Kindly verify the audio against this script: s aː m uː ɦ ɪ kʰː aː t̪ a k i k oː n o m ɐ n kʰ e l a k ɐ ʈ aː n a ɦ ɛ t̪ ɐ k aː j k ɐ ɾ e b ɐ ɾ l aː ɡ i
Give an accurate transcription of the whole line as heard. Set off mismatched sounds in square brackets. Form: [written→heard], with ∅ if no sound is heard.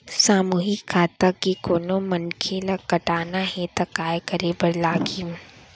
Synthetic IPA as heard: s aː m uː ɦ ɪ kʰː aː t̪ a k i k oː n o m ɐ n kʰ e l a k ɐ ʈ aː n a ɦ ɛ t̪ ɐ k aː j k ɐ ɾ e b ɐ ɾ l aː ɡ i

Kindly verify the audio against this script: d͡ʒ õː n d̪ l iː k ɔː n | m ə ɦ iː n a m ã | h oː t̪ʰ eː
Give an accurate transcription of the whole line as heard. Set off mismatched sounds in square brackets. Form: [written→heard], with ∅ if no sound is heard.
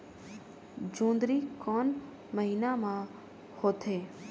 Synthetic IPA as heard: d͡ʒ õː n d̪ [l→ɾ] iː k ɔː n | m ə ɦ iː n a m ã | h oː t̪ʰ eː

